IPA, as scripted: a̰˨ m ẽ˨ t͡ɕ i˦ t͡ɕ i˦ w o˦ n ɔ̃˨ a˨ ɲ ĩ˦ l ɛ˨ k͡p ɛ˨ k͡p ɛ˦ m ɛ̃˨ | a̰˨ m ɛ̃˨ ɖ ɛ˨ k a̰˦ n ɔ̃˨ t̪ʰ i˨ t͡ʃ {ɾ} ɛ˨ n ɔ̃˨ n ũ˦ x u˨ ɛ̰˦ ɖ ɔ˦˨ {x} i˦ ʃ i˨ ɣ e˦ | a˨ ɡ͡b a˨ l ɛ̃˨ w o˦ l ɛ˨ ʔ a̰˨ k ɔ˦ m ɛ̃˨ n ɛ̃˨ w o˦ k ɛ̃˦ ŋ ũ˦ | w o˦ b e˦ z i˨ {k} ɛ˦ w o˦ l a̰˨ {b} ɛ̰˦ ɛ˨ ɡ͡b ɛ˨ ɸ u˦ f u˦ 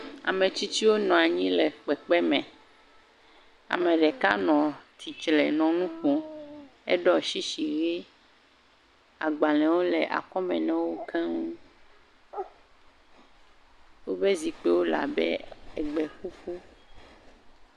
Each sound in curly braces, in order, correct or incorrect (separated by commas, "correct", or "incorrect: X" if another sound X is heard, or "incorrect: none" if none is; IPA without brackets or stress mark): incorrect: l, incorrect: ʃ, incorrect: k͡p, correct